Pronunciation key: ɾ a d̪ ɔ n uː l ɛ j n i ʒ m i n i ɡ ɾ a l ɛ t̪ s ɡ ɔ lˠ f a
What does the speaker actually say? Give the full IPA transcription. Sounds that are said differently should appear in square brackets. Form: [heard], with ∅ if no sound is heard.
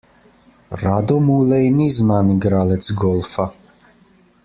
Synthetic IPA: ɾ a d̪ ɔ [m] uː l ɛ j n i [z] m [a] n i ɡ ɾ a l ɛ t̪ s ɡ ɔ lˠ f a